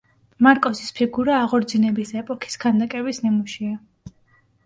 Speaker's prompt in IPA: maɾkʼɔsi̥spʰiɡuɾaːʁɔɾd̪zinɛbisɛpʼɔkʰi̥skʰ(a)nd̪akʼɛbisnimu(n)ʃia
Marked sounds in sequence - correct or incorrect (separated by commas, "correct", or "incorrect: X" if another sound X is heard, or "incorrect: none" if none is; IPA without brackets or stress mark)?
correct, incorrect: none